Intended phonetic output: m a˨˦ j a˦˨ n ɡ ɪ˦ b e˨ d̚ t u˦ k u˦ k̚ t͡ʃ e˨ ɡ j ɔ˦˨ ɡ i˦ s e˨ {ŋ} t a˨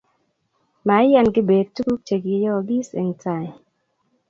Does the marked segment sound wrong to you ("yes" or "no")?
no